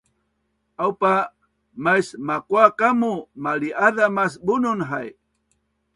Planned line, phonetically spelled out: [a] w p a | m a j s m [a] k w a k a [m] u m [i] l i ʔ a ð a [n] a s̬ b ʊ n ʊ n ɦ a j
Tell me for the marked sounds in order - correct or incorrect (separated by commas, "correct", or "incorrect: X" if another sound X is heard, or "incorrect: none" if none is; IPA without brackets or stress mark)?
correct, correct, correct, incorrect: a, incorrect: m